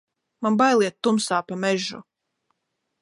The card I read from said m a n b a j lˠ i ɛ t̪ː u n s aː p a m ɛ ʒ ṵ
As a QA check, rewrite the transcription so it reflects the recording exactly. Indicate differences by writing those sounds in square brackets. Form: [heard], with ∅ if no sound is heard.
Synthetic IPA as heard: m a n b a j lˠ i ɛ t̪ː u [m] s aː p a m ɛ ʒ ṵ